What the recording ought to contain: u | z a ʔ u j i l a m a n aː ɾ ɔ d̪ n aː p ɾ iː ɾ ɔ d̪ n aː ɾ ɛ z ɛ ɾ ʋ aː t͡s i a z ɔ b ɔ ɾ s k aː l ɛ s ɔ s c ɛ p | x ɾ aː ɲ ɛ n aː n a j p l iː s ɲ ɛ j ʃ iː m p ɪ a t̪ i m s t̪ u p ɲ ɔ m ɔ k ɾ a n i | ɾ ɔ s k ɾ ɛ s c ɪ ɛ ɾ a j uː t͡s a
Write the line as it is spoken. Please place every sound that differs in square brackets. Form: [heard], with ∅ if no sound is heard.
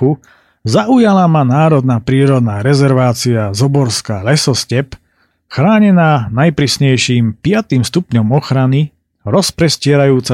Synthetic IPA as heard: u | z a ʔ u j [a] l a m a n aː ɾ ɔ d̪ n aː p ɾ iː ɾ ɔ d̪ n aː ɾ ɛ z ɛ ɾ ʋ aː t͡s i a z ɔ b ɔ ɾ s k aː l ɛ s ɔ s c ɛ p | x ɾ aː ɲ ɛ n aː n a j p [ɾ] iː s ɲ ɛ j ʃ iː m p ɪ a t̪ i m s t̪ u p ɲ ɔ m ɔ [x] ɾ a n i | ɾ ɔ s [p] ɾ ɛ s c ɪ ɛ ɾ a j uː t͡s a